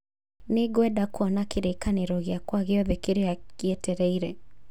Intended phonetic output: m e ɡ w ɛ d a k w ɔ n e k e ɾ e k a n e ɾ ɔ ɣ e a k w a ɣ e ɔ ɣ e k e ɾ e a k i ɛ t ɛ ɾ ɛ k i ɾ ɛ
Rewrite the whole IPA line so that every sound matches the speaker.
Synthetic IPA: n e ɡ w ɛ d a k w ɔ n a k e ɾ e k a n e ɾ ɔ ɣ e a k w a ɣ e ɔ ð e k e ɾ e a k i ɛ t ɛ ɾ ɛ i ɾ ɛ